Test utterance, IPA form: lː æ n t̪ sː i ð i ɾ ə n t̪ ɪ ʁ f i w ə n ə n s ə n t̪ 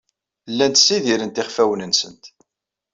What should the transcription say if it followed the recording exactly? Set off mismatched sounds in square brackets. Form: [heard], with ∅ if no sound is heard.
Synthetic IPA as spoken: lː æ n t̪ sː i ð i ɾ ə n t̪ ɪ [χ] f [æ] w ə n ə n s ə n t̪